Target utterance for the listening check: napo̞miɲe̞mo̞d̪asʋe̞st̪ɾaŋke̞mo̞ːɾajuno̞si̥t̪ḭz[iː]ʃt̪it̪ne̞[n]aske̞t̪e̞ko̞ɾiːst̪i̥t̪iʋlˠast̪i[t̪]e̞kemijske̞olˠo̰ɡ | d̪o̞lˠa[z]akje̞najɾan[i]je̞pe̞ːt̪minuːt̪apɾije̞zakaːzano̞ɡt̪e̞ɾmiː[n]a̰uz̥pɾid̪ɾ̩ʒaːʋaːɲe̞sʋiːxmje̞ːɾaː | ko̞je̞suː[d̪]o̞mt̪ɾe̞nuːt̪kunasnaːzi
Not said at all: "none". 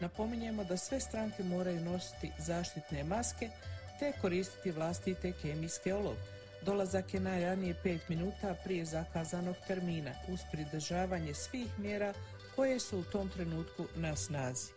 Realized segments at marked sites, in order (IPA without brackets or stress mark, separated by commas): aː, m, t̪, z, i, n, t̪